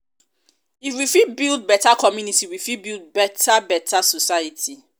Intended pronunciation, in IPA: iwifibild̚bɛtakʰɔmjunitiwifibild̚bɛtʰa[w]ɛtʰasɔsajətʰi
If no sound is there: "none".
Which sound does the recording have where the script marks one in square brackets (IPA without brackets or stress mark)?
b